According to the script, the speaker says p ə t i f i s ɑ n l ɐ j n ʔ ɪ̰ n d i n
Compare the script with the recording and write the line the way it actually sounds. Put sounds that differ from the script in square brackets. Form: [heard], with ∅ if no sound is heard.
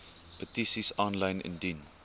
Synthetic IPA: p ə t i [s] i s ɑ n l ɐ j n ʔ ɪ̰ n d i n